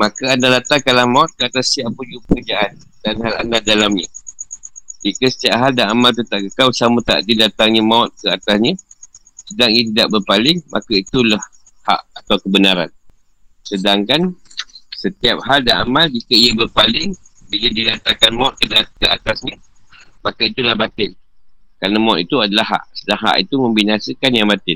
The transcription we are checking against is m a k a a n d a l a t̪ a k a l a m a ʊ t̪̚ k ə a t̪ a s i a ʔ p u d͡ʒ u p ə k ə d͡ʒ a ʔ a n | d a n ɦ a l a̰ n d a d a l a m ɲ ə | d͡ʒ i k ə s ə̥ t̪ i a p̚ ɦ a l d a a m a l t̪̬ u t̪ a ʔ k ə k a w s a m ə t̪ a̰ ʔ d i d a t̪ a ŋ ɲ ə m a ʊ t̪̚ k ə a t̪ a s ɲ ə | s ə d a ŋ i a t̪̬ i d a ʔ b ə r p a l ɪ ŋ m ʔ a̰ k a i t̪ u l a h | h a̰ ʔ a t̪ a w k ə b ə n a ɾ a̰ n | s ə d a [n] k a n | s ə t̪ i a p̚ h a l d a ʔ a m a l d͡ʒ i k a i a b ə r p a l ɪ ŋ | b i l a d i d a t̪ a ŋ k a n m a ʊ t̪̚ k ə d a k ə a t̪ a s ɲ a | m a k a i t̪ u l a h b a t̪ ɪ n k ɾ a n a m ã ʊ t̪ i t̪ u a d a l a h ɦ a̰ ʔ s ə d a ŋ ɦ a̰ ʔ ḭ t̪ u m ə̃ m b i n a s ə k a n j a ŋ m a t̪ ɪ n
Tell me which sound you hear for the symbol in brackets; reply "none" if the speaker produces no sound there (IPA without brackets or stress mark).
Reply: ŋ